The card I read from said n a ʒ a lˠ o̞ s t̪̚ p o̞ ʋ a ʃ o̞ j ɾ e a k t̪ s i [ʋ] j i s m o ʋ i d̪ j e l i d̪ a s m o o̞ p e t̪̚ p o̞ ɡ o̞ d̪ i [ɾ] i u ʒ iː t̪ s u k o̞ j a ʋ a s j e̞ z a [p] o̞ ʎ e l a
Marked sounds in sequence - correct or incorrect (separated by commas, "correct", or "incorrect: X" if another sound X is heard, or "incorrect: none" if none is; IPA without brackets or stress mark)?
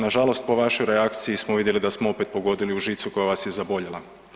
incorrect: none, incorrect: l, incorrect: b